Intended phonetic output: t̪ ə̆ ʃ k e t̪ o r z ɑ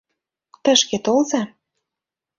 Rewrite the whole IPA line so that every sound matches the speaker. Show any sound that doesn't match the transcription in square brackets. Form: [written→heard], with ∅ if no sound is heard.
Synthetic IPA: t̪ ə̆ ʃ k e t̪ o [r→l] z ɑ